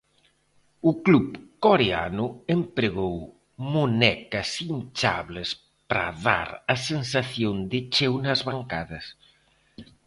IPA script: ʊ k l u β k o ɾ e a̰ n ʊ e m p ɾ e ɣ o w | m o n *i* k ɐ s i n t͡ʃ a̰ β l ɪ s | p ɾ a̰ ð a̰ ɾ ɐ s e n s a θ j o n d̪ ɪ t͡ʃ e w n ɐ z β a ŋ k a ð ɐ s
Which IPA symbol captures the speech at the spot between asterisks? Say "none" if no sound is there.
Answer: ɛ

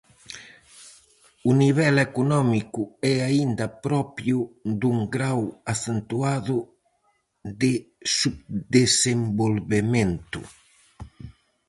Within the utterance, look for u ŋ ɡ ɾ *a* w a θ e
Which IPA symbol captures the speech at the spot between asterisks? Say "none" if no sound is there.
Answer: a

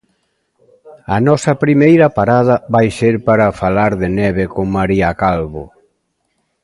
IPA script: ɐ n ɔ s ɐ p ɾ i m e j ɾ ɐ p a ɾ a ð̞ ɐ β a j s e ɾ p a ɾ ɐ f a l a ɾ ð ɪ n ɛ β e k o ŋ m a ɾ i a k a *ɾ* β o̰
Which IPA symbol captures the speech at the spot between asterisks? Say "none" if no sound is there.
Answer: l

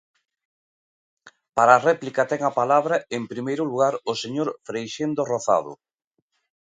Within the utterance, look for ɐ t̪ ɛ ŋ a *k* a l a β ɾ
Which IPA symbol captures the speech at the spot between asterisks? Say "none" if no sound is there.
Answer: p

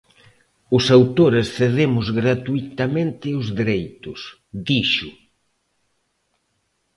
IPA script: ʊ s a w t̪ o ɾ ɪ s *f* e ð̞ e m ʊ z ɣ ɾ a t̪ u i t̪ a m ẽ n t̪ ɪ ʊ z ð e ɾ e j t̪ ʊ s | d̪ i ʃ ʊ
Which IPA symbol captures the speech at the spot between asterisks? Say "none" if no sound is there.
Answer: θ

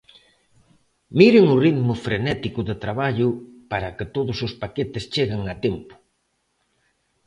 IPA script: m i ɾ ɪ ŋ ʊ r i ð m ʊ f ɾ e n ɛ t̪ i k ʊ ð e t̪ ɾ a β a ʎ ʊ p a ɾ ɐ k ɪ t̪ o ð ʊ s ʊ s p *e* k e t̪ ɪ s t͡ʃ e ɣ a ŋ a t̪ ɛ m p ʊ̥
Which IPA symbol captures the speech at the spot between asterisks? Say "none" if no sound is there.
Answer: a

